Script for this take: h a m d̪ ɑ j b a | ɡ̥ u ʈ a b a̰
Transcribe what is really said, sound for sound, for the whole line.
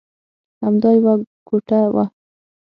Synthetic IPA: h a m d̪ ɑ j w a | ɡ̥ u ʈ a w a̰